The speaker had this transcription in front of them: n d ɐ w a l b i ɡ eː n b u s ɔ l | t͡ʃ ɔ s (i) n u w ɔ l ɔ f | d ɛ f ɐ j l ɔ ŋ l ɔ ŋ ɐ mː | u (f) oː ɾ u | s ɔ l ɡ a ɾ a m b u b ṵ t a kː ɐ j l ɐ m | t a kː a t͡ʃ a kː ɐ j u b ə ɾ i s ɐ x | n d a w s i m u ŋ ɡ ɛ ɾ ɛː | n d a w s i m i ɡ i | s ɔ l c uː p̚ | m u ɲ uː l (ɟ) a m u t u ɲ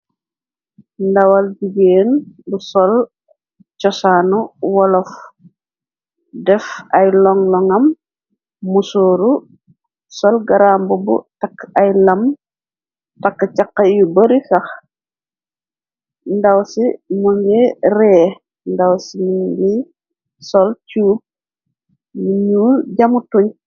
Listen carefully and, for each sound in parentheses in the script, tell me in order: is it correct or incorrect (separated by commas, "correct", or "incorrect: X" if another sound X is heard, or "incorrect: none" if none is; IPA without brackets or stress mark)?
incorrect: a, incorrect: s, correct